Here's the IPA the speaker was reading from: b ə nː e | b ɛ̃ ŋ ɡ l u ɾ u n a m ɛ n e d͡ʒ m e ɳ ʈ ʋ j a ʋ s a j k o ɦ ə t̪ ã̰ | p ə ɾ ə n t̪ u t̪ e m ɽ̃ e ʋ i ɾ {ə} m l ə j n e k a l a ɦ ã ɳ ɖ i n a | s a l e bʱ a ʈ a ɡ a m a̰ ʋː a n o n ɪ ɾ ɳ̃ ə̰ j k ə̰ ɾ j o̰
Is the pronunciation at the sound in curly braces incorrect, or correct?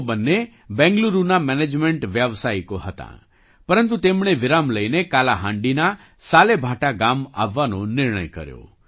incorrect